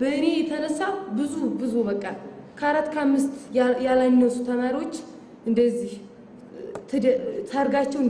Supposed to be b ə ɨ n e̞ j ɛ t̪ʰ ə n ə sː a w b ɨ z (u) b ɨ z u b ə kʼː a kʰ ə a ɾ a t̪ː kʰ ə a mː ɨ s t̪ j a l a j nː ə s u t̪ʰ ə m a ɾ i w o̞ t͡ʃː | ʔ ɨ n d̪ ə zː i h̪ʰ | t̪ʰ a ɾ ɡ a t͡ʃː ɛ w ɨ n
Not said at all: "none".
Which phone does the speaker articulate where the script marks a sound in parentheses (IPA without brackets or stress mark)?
u